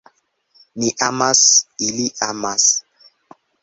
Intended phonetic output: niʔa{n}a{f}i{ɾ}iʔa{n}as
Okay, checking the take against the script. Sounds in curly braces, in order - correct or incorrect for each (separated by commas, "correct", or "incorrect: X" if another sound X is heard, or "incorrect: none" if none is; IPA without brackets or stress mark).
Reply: incorrect: m, incorrect: s, incorrect: l, incorrect: m